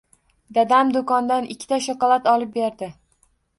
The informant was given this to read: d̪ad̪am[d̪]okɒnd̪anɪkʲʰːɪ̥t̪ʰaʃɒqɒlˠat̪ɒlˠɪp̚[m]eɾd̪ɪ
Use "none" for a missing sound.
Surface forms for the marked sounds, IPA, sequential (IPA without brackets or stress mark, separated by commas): d̪, b